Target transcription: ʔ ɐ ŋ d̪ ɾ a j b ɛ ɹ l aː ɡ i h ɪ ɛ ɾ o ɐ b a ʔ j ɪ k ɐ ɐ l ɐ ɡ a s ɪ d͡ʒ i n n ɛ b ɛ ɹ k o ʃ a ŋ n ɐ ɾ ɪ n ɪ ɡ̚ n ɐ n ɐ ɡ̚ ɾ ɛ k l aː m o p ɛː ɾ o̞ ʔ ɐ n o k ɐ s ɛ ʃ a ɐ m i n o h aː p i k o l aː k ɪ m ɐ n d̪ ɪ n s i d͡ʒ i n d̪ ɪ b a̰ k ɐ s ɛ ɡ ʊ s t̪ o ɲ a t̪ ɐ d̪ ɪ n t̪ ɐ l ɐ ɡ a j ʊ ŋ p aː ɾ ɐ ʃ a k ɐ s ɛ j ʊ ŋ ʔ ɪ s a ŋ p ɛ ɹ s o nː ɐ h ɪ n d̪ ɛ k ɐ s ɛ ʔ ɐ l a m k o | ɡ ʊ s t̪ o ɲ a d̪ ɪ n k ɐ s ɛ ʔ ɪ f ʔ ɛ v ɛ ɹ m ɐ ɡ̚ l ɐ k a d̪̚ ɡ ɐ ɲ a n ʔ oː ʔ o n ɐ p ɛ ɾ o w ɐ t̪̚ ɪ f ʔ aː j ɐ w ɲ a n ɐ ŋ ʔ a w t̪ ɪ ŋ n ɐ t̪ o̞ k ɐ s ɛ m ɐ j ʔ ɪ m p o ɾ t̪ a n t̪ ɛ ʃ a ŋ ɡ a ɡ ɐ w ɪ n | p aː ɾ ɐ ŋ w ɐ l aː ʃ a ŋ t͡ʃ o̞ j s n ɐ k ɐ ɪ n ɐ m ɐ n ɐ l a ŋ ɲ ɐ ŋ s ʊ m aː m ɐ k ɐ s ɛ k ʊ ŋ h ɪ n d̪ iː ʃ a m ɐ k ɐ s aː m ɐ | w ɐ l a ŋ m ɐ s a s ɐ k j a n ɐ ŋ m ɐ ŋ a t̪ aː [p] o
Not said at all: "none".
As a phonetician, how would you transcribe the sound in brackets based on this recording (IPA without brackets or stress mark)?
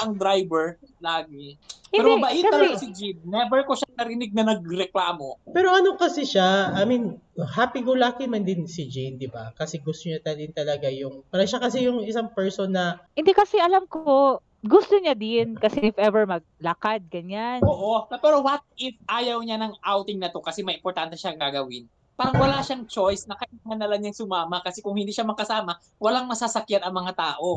ʔ